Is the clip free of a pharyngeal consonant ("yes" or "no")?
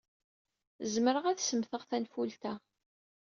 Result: yes